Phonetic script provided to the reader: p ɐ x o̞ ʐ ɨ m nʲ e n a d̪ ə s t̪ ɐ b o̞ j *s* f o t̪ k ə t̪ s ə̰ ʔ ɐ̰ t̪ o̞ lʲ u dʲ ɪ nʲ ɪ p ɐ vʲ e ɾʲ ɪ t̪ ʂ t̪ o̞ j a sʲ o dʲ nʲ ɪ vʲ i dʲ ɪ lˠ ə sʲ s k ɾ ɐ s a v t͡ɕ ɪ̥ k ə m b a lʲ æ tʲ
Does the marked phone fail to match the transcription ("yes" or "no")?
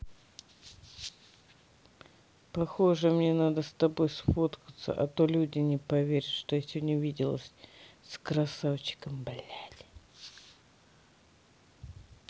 no